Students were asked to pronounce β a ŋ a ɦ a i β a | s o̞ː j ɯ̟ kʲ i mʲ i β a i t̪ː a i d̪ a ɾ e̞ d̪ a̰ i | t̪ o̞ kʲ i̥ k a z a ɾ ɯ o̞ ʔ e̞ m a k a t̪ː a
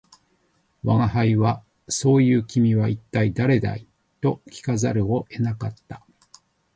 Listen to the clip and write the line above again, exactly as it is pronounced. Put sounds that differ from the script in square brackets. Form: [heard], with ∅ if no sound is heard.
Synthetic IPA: β a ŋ a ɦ a i β a | s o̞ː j [ɯ̟ː] kʲ i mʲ i β a i t̪ː a i d̪ a ɾ e̞ d̪ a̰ i | t̪ o̞ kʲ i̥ k a z a ɾ ɯ o̞ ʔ e̞ [n] a k a t̪ː a